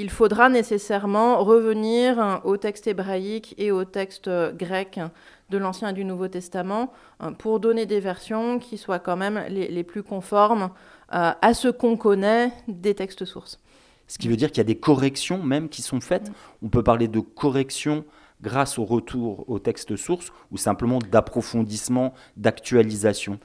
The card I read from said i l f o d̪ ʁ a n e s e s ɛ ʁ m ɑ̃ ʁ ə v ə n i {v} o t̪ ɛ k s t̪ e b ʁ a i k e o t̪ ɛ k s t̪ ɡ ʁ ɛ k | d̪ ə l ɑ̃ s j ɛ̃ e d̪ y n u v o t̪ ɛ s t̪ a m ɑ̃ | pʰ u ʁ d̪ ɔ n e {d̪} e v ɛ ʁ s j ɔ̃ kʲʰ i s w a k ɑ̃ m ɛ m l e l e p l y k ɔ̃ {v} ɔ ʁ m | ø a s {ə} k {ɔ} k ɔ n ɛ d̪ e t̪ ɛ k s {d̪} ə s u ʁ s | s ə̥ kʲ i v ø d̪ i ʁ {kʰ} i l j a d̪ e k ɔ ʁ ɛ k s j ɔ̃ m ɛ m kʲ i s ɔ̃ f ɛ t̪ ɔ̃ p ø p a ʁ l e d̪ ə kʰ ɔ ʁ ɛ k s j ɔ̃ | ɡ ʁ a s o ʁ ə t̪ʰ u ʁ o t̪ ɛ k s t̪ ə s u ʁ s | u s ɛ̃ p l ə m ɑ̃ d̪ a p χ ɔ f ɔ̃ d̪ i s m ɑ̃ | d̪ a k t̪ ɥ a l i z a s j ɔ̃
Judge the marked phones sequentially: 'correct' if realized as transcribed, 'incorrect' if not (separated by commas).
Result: incorrect, correct, incorrect, correct, incorrect, incorrect, incorrect